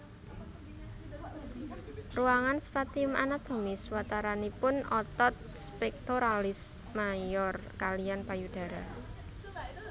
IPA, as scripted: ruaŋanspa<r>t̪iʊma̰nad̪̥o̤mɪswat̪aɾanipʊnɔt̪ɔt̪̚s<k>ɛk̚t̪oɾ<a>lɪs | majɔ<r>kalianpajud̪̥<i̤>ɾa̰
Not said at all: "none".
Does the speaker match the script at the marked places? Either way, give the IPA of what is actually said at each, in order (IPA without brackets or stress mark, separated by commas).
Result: none, p, a, r, a̤